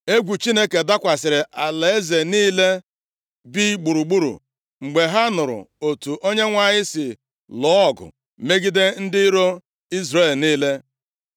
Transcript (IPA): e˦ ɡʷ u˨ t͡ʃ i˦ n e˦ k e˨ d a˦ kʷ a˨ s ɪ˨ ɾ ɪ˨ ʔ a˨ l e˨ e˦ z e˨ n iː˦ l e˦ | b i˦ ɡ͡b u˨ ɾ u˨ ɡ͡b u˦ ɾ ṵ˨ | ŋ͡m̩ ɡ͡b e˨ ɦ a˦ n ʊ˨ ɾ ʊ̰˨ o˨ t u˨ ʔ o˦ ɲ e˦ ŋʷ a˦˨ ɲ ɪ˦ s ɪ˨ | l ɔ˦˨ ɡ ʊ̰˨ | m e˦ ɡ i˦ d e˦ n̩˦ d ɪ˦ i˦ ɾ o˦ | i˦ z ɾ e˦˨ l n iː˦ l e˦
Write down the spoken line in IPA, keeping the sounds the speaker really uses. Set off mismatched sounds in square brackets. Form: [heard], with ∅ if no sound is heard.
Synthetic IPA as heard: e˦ ɡʷ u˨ t͡ʃ i˦ n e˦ k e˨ d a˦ kʷ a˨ s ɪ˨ ɾ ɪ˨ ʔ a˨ l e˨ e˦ z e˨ n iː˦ l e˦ | b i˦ ɡ͡b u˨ ɾ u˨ ɡ͡b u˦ ɾ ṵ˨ | ŋ͡m̩ ɡ͡b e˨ ɦ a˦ n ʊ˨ ɾ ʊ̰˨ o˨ t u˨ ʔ o˦ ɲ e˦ ŋʷ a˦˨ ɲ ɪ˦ s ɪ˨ | l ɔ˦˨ ɡ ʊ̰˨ | m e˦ ɡ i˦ d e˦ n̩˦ d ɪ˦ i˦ ɾ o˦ | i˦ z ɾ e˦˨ l n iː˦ l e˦